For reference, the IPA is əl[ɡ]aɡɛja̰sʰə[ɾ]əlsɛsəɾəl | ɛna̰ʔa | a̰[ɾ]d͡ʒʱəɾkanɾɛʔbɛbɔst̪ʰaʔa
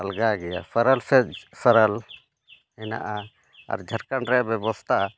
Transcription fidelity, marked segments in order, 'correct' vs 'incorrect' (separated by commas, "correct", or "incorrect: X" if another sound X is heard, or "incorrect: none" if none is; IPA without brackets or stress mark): correct, correct, correct